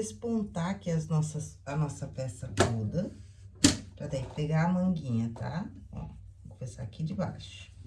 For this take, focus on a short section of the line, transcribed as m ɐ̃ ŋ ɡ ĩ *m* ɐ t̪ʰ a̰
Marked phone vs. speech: incorrect: ɲ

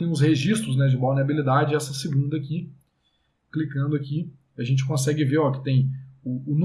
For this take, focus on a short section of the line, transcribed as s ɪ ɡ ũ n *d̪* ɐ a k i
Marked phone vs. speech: correct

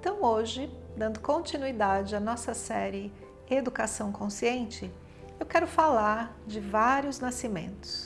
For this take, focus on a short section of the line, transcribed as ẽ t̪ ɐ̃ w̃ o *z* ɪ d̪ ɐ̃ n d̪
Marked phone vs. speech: incorrect: ʒ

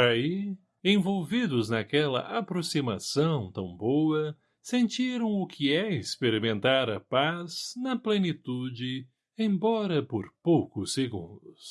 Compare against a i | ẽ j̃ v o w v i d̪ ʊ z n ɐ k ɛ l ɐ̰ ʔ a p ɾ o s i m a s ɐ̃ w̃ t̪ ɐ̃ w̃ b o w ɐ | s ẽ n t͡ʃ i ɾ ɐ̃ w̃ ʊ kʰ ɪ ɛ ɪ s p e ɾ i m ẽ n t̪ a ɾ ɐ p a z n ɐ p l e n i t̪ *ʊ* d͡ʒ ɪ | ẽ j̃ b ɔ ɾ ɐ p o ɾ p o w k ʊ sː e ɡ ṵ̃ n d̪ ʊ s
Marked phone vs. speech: incorrect: u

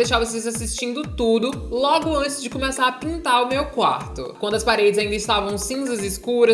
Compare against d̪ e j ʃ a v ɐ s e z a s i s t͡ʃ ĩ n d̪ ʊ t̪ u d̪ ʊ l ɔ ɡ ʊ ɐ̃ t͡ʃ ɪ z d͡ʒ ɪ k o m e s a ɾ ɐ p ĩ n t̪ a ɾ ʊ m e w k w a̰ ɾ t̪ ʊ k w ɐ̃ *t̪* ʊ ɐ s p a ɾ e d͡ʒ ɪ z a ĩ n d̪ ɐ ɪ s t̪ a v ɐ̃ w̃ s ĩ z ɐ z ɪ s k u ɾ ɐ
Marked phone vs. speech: incorrect: d̪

